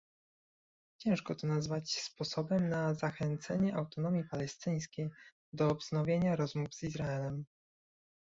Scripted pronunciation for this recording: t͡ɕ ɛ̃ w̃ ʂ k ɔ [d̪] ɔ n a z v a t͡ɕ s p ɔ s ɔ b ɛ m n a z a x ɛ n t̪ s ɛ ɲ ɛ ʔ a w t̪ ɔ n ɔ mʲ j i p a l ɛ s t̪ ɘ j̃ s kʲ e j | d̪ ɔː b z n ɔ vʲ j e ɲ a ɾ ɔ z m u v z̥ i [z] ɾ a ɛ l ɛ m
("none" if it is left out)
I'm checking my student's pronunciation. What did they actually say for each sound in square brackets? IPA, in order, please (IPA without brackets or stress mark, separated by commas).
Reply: t̪, z